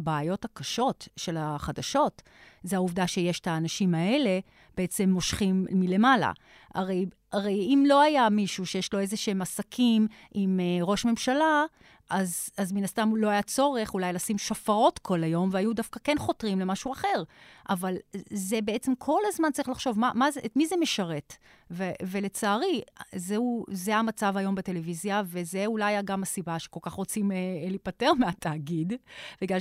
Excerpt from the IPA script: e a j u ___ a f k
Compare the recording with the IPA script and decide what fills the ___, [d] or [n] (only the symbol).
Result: d